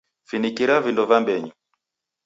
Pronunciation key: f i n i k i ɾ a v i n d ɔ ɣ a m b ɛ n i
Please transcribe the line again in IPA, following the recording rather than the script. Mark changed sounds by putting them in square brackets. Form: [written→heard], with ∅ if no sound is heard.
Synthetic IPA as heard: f i n i k i ɾ a v i n d ɔ [ɣ→v] a m b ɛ [n→ɲ] i

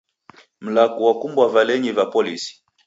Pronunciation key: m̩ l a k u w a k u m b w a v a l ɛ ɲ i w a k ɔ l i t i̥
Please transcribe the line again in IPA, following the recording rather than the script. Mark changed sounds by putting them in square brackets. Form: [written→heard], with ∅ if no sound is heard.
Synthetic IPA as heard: m̩ l a k u w a k u m b w a v a l ɛ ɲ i [w→v] a [k→p] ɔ l i [t→s] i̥

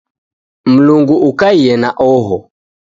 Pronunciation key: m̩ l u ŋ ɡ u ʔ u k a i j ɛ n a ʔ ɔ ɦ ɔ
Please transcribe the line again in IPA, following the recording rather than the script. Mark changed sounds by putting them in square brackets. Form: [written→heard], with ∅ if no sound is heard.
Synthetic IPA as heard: m̩ l u ŋ ɡ u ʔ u k a i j ɛ n a ʔ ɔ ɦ ɔ

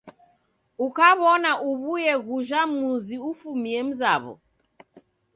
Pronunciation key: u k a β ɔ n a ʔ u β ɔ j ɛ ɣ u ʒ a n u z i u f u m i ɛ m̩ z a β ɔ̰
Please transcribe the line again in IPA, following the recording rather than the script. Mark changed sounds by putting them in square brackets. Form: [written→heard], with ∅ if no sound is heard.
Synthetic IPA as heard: u k a β ɔ n a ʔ u β [ɔ→u] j ɛ ɣ u ʒ a [n→m] u z i u f u m i ɛ m̩ z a β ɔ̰

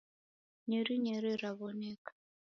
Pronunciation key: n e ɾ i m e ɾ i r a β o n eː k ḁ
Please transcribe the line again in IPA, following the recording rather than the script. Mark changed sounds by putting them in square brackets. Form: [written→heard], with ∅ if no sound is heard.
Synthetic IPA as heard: [n→ɲ] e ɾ i [m→ɲ] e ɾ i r a β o n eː k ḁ

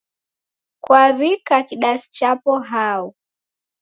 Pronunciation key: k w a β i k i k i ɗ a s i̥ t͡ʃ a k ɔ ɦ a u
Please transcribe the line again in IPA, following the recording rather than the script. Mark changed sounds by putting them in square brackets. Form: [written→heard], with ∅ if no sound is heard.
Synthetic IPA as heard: k w a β i k [i→a] k i ɗ a s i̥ t͡ʃ a [k→p] ɔ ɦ a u

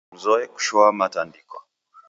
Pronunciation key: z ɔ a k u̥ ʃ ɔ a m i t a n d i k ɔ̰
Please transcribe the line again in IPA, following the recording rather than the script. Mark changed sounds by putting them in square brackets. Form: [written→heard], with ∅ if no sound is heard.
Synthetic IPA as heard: z ɔ [a→ɛ] k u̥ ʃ ɔ a m [i→a] t a n d i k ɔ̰

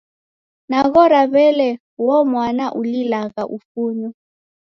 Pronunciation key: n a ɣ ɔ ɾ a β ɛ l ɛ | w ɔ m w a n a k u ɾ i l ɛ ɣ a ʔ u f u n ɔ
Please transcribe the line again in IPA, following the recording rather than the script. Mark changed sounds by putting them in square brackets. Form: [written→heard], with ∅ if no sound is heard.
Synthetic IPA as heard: n a ɣ ɔ ɾ a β ɛ l ɛ | w ɔ m w a n a [k→ʔ] u [ɾ→l] i l [ɛ→a] ɣ a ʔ u f u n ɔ

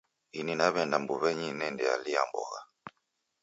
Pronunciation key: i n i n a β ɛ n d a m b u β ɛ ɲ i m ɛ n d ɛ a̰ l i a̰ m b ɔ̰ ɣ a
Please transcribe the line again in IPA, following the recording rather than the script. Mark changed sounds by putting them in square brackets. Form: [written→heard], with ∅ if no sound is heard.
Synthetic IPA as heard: i n i n a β ɛ n d a m b u β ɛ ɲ i [m→n] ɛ n d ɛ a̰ l i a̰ m b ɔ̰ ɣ a

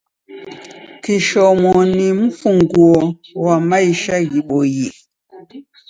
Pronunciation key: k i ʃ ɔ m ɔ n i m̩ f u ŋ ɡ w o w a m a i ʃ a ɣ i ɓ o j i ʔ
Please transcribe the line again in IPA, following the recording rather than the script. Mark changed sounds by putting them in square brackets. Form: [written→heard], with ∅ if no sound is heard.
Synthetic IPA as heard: k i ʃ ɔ m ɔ n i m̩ f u ŋ ɡ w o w a m a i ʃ a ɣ i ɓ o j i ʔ

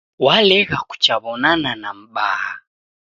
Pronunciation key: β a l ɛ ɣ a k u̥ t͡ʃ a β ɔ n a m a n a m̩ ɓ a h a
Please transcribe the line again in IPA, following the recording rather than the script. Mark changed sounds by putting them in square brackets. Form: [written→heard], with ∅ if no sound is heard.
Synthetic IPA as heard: [β→w] a l ɛ ɣ a k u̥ t͡ʃ a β ɔ n a [m→n] a n a m̩ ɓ a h a

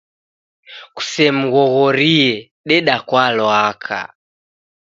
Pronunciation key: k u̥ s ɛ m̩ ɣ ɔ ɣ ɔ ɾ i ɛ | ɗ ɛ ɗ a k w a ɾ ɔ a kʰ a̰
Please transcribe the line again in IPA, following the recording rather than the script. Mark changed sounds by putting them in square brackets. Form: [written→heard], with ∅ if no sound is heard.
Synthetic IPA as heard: k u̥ s ɛ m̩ ɣ ɔ ɣ ɔ ɾ i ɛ | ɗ ɛ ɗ a k w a [ɾ→l] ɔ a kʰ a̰

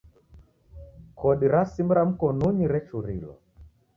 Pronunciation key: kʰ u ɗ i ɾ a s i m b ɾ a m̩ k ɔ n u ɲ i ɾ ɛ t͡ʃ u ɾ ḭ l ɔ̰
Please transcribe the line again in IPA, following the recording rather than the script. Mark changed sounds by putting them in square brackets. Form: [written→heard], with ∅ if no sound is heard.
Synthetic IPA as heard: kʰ [u→ɔ] ɗ i ɾ a s i m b ɾ a m̩ k ɔ n u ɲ i ɾ ɛ t͡ʃ u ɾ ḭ l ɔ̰

